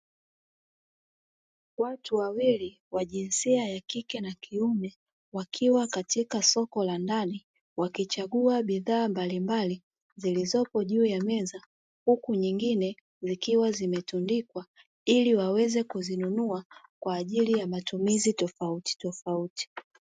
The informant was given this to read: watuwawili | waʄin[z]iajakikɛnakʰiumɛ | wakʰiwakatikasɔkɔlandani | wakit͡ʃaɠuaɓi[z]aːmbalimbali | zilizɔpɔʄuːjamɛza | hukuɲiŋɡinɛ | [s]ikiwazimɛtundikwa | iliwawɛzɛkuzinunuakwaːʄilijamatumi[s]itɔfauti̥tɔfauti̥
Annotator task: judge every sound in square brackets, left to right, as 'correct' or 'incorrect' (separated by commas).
incorrect, incorrect, incorrect, incorrect